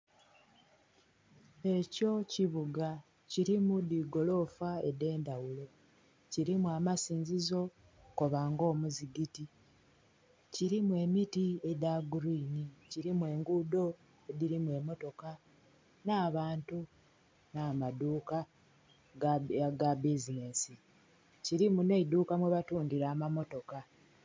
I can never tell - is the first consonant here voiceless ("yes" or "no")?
yes